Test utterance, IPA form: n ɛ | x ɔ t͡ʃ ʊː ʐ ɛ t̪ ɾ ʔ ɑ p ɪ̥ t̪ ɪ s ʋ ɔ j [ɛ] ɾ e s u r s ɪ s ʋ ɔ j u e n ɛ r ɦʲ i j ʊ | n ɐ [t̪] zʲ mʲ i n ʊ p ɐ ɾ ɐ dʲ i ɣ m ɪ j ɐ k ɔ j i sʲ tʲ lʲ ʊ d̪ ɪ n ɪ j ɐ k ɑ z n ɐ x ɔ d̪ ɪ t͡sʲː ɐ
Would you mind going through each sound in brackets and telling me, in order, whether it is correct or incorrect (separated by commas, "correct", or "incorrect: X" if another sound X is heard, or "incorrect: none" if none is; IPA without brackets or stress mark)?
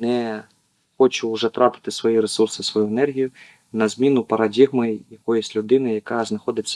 incorrect: i, incorrect: none